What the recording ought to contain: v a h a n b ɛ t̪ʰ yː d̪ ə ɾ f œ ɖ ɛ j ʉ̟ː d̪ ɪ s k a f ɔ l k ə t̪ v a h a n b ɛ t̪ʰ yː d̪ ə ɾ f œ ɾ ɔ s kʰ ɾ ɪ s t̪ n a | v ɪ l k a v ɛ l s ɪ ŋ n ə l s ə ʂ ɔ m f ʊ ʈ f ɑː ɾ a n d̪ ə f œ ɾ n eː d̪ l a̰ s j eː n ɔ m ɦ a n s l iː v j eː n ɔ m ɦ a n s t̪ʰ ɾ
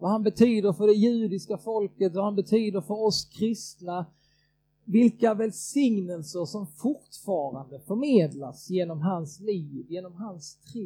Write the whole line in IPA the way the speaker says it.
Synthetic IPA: v a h a n b ɛ t̪ʰ yː d̪ ə ɾ f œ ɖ ɛ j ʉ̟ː d̪ ɪ s k a f ɔ l k ə t̪ v a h a n b ɛ t̪ʰ yː d̪ ə ɾ f œ ɾ ɔ s kʰ ɾ ɪ s t̪ n a | v ɪ l k a v ɛ l s ɪ ŋ n ə l s ə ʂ ɔ m f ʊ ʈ f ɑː ɾ a n d̪ ə f œ ɾ m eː d̪ l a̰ s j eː n ɔ m ɦ a n s l iː v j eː n ɔ m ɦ a n s t̪ʰ ɾ